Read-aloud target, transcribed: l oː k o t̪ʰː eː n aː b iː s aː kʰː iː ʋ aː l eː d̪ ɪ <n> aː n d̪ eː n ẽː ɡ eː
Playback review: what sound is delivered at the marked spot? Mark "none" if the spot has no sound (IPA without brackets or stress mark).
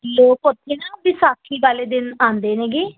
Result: n